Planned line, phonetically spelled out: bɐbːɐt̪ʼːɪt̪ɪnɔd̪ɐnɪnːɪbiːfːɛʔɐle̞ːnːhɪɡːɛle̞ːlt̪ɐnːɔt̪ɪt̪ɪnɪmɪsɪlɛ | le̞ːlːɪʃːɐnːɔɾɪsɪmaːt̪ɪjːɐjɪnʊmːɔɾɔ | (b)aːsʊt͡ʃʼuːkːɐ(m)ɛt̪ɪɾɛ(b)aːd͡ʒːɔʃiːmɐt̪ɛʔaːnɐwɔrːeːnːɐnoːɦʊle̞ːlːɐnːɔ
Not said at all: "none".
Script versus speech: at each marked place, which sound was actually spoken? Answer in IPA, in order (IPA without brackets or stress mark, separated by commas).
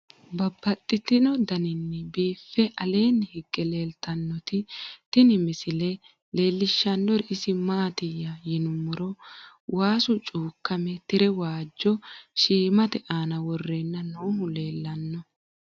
w, m, w